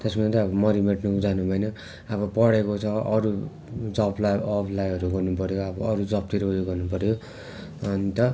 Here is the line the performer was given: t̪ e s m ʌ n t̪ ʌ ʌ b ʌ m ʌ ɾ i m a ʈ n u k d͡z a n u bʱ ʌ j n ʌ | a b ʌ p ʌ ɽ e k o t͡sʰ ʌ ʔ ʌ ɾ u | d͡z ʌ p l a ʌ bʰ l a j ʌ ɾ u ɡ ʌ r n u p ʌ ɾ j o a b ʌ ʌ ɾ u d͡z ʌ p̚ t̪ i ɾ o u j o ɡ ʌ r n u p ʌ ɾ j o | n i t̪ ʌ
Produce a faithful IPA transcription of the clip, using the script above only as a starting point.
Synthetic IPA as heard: t̪ e s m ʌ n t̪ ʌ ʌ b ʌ m ʌ ɾ i m e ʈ n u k d͡z a n u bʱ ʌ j n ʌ | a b ʌ p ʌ ɽ e k o t͡sʰ ʌ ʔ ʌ ɾ u | d͡z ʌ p l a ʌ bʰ l a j ʌ ɾ u ɡ ʌ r n u p ʌ ɾ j o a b ʌ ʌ ɾ u d͡z ʌ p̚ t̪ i ɾ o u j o ɡ ʌ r n u p ʌ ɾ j o | n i t̪ ʌ